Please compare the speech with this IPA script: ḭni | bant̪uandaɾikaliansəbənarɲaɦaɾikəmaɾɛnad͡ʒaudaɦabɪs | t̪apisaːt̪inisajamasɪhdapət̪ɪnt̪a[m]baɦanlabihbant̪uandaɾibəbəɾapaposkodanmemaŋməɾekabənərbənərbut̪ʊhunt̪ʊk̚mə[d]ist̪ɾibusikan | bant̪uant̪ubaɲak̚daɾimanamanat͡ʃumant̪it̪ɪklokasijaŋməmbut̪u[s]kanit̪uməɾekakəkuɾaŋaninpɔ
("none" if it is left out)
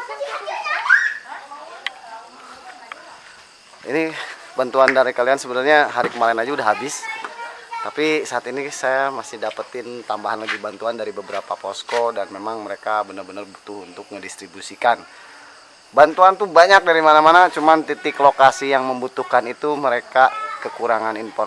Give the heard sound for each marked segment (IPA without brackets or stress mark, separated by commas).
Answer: m, d, h